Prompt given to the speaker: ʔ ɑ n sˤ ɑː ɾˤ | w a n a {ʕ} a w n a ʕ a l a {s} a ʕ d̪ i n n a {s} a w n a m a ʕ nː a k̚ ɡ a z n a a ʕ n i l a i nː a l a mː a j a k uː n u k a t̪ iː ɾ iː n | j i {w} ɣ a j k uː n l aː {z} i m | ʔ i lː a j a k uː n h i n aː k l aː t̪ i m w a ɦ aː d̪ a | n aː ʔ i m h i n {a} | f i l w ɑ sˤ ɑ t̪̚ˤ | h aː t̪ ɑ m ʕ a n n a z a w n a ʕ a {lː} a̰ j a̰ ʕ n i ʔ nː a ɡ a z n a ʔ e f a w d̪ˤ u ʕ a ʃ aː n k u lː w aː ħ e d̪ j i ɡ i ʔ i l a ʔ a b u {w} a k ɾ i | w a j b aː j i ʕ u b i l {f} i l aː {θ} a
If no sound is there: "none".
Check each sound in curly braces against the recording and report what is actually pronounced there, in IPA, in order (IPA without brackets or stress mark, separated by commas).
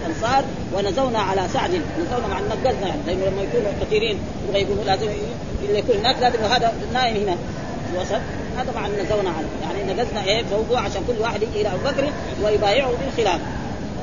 z, s, z, b, z, a, l, b, x, f